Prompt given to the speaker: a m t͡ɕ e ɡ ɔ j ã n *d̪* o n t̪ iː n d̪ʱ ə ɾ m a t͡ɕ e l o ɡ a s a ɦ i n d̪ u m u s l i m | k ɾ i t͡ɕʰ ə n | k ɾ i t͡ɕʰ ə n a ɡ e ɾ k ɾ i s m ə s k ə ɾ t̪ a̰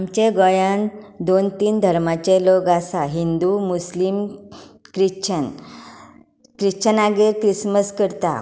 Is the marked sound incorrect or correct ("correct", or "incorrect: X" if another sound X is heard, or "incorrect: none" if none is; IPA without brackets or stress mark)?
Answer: correct